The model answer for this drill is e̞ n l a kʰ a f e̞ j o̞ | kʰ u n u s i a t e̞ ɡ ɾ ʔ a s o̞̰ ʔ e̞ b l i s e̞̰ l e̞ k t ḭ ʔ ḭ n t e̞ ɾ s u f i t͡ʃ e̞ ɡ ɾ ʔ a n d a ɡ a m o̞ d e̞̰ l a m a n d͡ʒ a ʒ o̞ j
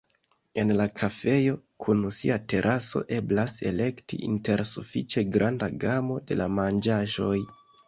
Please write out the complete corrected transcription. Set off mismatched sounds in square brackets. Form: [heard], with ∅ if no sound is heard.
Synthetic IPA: e̞ n l a kʰ a f e̞ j o̞ | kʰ u n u s i a t e̞ [∅] ɾ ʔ a s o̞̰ ʔ e̞ b l [a] s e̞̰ l e̞ k t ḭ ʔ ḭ n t e̞ ɾ s u f i t͡ʃ e̞ ɡ ɾ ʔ a n d a ɡ a m o̞ d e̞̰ l a m a n d͡ʒ a ʒ o̞ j

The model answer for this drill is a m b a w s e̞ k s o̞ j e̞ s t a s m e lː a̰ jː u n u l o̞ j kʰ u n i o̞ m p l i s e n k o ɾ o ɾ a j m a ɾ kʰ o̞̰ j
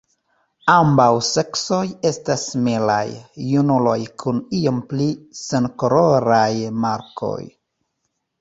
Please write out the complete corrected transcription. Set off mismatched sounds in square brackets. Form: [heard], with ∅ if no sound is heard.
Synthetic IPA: a m b a w s e̞ k s o̞ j e̞ s t a s m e [l] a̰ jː u n u l o̞ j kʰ u n i o̞ m p l i s e n k o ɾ o ɾ a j m a ɾ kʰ o̞̰ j

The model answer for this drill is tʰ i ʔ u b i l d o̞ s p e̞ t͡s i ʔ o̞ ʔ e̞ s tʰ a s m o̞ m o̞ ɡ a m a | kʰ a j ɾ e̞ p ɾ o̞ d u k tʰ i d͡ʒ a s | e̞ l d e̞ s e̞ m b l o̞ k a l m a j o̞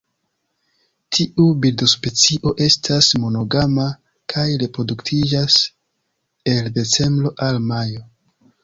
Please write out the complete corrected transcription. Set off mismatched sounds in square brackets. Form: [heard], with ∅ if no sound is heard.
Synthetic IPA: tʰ i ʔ u b i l d o̞ s p e̞ t͡s i ʔ o̞ ʔ e̞ s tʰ a s m o̞ [n] o̞ ɡ a m a | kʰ a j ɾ e̞ p ɾ o̞ d u k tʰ i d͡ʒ a s | e̞ l d e̞ [t͡s] e̞ m b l o̞ [ʔ] a l m a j o̞

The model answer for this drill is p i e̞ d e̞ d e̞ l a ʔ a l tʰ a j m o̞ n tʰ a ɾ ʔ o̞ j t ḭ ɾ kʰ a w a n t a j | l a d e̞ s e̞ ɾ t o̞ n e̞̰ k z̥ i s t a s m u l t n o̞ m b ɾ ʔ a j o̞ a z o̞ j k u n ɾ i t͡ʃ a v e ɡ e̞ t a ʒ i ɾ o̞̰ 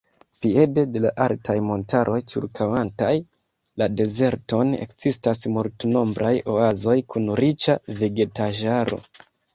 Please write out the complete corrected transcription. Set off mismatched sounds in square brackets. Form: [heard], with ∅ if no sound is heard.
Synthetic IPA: p i e̞ d e̞ d e̞ l a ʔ a l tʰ a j m o̞ n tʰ a ɾ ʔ o̞ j [t͡ʃ] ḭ ɾ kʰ a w a n t a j | l a d e̞ [z] e̞ ɾ t o̞ n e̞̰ k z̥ i s t a s m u l t n o̞ m b ɾ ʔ a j o̞ a z o̞ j k u n ɾ i t͡ʃ a v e ɡ e̞ t a ʒ [a] ɾ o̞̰

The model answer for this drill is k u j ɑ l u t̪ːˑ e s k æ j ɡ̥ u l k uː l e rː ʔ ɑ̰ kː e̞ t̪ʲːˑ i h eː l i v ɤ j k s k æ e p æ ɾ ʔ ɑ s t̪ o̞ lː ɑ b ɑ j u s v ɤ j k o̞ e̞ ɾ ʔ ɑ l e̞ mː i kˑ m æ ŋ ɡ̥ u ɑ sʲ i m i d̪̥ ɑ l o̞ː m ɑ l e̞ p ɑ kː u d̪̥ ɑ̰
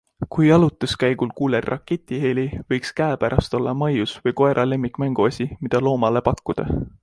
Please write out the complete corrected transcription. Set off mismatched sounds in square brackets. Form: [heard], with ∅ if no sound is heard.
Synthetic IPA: k u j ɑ l u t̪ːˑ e s k æ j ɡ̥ u l k uː l e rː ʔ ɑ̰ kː e̞ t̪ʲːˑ i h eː l i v ɤ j k s k æ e p æ ɾ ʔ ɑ s t̪ o̞ lː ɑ [m] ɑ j u s v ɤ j k o̞ e̞ ɾ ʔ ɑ l e̞ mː i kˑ m æ ŋ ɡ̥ u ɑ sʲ i m i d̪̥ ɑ l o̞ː m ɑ l e̞ p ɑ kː u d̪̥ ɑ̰

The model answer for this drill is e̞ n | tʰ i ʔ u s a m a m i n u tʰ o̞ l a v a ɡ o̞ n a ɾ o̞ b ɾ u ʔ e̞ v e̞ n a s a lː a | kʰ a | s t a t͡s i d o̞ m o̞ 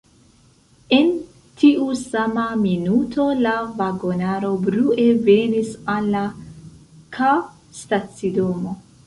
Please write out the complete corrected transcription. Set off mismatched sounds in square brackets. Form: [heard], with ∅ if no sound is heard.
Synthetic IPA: e̞ n | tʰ i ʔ u s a m a m i n u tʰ o̞ l a v a ɡ o̞ n a ɾ o̞ b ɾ u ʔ e̞ v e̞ n [i] s a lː a | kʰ a | s t a t͡s i d o̞ m o̞

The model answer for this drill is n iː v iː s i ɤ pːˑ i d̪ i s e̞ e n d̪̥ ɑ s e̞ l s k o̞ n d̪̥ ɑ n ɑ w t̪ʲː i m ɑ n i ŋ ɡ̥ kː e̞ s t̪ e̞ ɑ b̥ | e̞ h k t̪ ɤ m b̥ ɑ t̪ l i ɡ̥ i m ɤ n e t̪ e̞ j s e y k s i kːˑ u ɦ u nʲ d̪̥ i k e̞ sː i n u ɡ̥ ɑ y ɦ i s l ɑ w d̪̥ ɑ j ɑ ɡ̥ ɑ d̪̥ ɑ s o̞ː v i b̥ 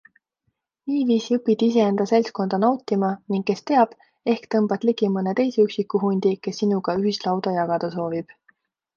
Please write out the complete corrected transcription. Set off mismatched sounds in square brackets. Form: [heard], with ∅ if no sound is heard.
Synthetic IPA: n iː v iː s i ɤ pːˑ i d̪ i s e̞ e n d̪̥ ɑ s e̞ l s k o̞ n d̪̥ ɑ n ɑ w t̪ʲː i m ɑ n i ŋ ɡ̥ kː e̞ s t̪ e̞ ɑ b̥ | e̞ h k t̪ ɤ m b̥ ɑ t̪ l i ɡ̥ i m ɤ n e t̪ e̞ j s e y k s i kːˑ u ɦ u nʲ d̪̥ i k e̞ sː i n u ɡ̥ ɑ y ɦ i s l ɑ w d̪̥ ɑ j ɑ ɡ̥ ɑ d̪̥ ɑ s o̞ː v i b̥

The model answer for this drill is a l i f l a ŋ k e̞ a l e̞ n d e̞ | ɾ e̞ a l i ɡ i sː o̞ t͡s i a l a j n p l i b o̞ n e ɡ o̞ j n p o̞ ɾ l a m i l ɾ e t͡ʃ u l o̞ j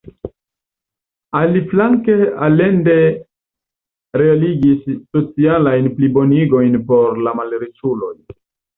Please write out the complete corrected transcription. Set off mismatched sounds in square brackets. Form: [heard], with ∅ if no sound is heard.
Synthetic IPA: a l i f l a ŋ k e̞ a l e̞ n d e̞ | ɾ e̞ a l i ɡ i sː o̞ t͡s i a l a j n p l i b o̞ n [i] ɡ o̞ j n p o̞ ɾ l a m [a] l ɾ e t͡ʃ u l o̞ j

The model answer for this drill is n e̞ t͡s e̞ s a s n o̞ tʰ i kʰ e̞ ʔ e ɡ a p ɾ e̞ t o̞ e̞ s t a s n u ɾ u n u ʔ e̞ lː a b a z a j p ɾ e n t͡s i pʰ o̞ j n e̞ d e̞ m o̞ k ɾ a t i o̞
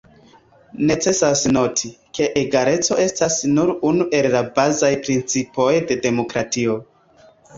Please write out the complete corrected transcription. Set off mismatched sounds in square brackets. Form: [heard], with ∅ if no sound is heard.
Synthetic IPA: n e̞ t͡s e̞ s a s n o̞ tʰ i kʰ e̞ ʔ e ɡ a [∅] ɾ e̞ [t͡s] o̞ e̞ s t a s n u ɾ u n u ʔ e̞ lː a b a z a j p ɾ [i] n t͡s i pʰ o̞ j [d] e̞ d e̞ m o̞ k ɾ a t i o̞

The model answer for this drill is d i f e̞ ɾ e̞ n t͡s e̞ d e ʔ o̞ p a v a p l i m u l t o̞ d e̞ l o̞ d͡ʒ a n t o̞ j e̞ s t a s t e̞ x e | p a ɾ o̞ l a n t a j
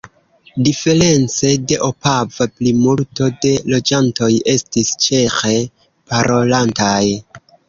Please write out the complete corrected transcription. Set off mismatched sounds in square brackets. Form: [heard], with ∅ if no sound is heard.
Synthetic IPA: d i f e̞ ɾ e̞ n t͡s e̞ d e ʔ o̞ p a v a p l i m u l t o̞ d e̞ l o̞ d͡ʒ a n t o̞ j e̞ s t [i] s [t͡ʃ] e̞ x e | p a ɾ o̞ l a n t a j

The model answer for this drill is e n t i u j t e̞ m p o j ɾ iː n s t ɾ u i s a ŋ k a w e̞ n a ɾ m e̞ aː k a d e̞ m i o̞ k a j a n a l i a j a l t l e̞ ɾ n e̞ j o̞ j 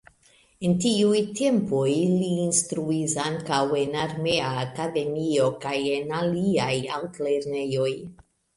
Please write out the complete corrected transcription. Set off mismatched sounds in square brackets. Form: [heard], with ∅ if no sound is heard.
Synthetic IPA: e n t i u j t e̞ m p o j [l] iː n s t ɾ u i s a ŋ k a w e̞ n a ɾ m e̞ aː k a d e̞ m i o̞ k a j [e] n a l i a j a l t l e̞ ɾ n e̞ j o̞ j

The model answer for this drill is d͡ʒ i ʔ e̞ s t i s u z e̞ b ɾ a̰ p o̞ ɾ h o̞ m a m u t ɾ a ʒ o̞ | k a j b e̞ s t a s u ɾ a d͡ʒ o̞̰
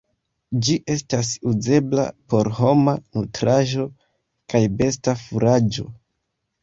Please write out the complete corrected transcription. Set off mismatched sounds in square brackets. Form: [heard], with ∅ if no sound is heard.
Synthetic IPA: d͡ʒ i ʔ e̞ s t [a] s u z e̞ b [l] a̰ p o̞ ɾ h o̞ m a [n] u t ɾ a ʒ o̞ | k a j b e̞ s t a [f] u ɾ a d͡ʒ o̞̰

